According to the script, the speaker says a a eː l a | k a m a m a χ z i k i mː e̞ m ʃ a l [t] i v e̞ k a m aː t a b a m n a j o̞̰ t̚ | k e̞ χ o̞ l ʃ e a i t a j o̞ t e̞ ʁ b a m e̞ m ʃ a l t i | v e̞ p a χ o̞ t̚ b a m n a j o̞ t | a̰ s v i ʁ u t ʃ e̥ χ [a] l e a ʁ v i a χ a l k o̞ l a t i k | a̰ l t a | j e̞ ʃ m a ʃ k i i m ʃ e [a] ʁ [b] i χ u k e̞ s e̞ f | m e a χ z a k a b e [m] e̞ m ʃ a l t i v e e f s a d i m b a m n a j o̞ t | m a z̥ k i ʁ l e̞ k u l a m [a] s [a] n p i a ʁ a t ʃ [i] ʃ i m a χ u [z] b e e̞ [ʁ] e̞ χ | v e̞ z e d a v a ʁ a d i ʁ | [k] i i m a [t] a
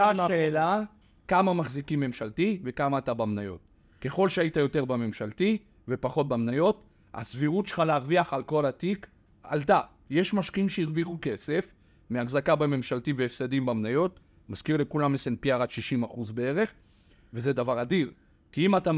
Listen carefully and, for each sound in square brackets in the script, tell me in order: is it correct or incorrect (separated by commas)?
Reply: correct, correct, incorrect, incorrect, correct, incorrect, incorrect, correct, correct, correct, correct, correct